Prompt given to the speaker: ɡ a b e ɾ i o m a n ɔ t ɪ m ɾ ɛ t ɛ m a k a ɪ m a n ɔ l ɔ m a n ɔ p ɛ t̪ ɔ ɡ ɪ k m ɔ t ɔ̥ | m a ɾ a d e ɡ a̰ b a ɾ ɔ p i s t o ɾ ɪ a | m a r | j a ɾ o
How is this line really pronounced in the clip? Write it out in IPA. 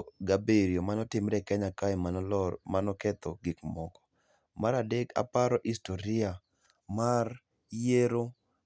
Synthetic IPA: ɡ a b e ɾ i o m a n ɔ t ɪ m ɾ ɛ k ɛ ɲ a k a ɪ m a n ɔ l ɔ m a n ɔ k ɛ t̪ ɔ ɡ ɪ k m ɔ k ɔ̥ | m a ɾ a d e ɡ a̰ p a ɾ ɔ ʔ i s t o ɾ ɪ a | m a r | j e ɾ o